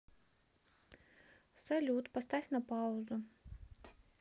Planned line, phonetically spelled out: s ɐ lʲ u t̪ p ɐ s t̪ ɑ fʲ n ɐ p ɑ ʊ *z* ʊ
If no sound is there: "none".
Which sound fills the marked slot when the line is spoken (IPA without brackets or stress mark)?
z